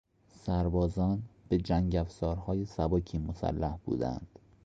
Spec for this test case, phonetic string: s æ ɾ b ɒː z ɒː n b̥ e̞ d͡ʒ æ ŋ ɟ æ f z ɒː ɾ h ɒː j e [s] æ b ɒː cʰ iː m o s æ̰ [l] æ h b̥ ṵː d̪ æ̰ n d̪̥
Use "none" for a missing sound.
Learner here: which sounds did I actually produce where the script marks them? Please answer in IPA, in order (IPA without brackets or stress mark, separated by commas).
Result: s, lː